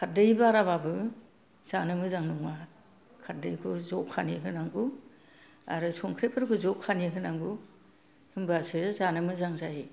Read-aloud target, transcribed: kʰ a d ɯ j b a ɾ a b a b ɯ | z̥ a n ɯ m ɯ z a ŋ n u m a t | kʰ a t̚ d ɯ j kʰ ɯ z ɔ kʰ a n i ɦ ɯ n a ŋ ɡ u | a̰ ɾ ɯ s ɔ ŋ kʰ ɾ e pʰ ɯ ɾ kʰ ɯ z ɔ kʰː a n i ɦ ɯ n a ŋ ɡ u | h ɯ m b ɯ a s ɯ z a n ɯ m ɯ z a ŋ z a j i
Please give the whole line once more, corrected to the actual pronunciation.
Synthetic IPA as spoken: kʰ a d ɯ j b a ɾ a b a b ɯ | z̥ a n ɯ m ɯ z a ŋ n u ŋ a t | kʰ a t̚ d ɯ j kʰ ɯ z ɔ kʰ a n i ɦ ɯ n a ŋ ɡ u | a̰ ɾ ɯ s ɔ ŋ kʰ ɾ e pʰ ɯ ɾ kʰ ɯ z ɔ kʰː a n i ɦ ɯ n a ŋ ɡ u | h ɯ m b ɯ a s ɯ z a n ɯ m ɯ z a ŋ z a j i